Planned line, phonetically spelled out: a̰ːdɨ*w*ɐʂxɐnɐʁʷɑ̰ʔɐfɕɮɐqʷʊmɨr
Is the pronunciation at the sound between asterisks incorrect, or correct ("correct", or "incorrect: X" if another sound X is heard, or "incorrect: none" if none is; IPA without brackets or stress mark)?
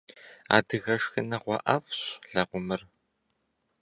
incorrect: ɣ